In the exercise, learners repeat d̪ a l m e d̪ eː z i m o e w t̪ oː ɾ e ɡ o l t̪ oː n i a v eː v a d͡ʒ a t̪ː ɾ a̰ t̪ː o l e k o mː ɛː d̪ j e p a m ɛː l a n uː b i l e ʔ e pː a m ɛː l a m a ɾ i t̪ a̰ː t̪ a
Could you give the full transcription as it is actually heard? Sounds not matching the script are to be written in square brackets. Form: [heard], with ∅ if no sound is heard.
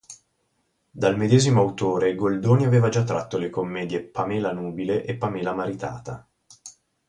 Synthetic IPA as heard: d̪ a l m e d̪ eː z i m o [a] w t̪ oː ɾ e ɡ o l [d̪] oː n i a v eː v a d͡ʒ a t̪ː ɾ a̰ t̪ː o l e k o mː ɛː d̪ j e p a m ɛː l a n uː b i l e ʔ e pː a m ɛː l a m a ɾ i t̪ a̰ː t̪ a

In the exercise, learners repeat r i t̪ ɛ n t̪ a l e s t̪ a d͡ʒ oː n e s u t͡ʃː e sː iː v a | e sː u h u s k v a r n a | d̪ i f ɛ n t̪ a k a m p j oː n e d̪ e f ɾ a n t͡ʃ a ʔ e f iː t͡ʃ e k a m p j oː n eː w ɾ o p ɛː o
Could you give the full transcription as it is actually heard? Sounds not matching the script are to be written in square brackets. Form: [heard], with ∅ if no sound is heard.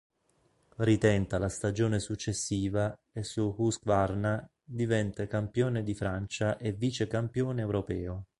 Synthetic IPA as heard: r i t̪ ɛ n t̪ a l [a] s t̪ a d͡ʒ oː n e s u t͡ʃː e sː iː v a | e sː u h u s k v a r n a | d̪ i [v] ɛ n t̪ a k a m p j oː n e d̪ [i] f ɾ a n t͡ʃ a ʔ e [v] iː t͡ʃ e k a m p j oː n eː w ɾ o p ɛː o

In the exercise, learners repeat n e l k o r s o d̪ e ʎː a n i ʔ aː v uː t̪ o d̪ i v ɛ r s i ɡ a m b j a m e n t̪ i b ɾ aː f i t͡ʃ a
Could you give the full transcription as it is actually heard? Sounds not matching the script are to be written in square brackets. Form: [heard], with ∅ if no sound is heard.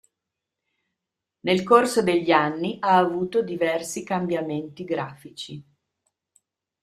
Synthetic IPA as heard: n e l k o r s o d̪ e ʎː a [nː] i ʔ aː v uː t̪ o d̪ i v ɛ r s i [k] a m b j a m e n t̪ i [ɡ] ɾ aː f i t͡ʃ [i]

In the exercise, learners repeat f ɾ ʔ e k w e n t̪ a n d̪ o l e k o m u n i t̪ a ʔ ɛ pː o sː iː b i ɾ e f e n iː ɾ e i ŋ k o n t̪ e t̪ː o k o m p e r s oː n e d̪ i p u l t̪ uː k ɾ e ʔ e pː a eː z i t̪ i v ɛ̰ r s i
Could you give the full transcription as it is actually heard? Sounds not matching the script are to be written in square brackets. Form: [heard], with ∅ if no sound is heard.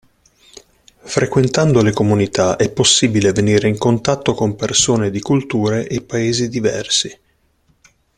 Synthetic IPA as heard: f ɾ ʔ e k w e n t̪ a n d̪ o l e k o m u n i t̪ a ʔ ɛ pː o sː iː b i [l] e [v] e n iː ɾ e i ŋ k o n t̪ [a] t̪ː o k o m p e r s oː n e d̪ i [k] u l t̪ uː [∅] ɾ e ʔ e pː a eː z i [d̪] i v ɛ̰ r s i

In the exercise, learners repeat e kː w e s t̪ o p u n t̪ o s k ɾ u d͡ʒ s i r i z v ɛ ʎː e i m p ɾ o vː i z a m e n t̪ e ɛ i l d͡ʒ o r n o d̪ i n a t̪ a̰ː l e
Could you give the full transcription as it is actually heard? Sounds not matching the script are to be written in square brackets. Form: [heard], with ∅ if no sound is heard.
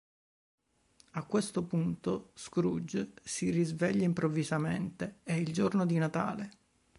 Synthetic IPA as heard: [a] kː w e s t̪ o p u n t̪ o s k ɾ u d͡ʒ s i r i z v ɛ ʎː [a] i m p ɾ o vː i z a m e n t̪ e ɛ i l d͡ʒ o r n o d̪ i n a t̪ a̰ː l e

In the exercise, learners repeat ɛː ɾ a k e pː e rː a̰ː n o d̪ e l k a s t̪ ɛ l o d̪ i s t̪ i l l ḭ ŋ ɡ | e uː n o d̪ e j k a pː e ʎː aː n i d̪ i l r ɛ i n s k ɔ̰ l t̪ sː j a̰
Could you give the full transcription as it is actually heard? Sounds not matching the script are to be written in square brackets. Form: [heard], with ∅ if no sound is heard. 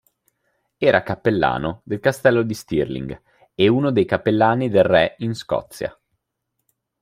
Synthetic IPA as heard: ɛː ɾ a k [a] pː e [lː] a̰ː n o d̪ e l k a s t̪ ɛ [lː] o d̪ i s t̪ i [r] l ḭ ŋ ɡ | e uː n o d̪ e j k a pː e [lː] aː n i d̪ [e] l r ɛ i n s k ɔ̰ [∅] t̪ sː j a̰

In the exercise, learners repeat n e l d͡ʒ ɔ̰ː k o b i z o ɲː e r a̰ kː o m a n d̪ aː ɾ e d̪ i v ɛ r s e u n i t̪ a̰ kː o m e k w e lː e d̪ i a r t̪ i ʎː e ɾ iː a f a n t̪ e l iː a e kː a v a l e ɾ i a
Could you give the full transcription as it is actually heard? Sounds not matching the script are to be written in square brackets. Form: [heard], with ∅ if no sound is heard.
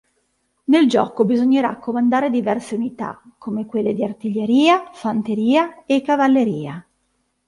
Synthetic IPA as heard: n e l d͡ʒ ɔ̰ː k o b i z o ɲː e [ɾ] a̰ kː o m a n d̪ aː ɾ e d̪ i v ɛ r s e u n i t̪ a̰ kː o m e k w e lː e d̪ i a r t̪ i ʎː e ɾ iː a f a n t̪ e [ɾ] iː a e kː a v a [lː] e ɾ [iː] a

